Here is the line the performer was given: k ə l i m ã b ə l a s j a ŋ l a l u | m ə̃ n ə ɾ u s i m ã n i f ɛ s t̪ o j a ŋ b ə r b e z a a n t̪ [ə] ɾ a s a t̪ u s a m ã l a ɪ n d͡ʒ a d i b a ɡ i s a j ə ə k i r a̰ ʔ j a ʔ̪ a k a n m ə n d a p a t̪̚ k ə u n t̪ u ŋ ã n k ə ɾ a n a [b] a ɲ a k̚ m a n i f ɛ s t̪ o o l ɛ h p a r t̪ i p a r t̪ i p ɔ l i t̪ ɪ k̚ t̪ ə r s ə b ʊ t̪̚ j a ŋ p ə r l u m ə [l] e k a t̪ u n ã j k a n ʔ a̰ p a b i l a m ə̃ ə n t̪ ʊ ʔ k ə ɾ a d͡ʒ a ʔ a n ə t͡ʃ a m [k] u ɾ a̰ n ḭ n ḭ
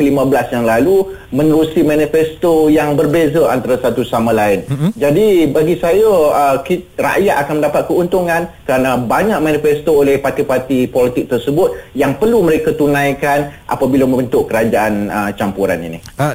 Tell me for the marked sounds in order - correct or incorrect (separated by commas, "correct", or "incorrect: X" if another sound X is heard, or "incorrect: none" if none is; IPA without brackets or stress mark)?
incorrect: a, correct, incorrect: ɾ, incorrect: p